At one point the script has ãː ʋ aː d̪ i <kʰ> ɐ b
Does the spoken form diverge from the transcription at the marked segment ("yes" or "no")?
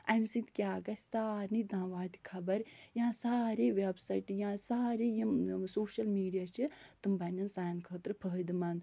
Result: no